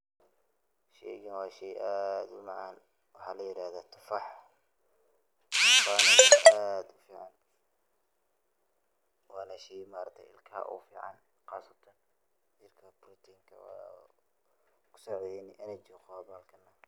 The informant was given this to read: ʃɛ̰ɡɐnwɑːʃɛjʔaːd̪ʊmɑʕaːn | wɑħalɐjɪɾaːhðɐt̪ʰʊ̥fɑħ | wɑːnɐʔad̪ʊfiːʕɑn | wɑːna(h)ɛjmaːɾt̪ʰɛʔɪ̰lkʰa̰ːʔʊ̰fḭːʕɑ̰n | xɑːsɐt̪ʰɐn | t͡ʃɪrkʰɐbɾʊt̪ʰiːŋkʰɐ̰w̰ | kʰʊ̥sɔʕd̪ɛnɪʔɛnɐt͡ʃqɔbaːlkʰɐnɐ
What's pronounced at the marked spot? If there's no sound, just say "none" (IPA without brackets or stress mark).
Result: ʃ